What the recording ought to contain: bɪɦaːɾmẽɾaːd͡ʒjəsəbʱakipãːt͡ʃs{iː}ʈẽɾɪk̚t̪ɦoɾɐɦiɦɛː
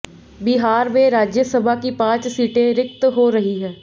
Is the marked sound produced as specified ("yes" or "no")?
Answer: yes